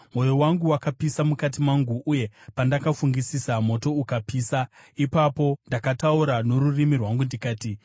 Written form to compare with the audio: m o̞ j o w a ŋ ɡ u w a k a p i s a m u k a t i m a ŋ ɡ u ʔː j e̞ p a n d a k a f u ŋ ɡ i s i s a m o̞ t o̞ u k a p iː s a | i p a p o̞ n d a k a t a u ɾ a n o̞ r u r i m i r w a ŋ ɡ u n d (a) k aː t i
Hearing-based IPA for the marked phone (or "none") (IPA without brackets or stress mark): i